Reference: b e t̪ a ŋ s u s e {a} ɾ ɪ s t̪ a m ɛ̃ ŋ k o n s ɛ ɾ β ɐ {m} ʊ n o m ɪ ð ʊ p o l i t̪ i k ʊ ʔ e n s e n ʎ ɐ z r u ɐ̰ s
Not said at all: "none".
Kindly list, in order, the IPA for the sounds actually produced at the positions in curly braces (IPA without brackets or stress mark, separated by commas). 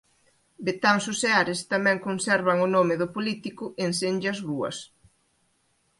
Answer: a, ŋ